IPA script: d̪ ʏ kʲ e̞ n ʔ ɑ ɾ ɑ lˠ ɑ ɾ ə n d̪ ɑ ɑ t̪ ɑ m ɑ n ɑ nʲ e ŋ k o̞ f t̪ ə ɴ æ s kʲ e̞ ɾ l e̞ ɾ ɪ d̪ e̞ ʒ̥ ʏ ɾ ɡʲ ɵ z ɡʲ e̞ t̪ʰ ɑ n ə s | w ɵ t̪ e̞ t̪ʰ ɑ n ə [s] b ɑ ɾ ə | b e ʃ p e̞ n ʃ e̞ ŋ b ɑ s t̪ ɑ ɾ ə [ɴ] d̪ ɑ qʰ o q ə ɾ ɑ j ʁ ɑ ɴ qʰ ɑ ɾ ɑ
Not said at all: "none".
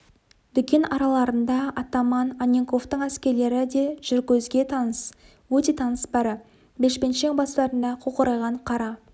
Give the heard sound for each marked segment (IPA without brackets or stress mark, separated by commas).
s, n